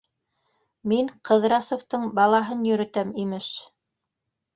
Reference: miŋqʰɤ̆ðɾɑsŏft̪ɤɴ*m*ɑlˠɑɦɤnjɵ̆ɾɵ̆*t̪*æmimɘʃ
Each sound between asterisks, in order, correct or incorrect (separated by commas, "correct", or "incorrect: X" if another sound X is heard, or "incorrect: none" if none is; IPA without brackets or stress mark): incorrect: b, correct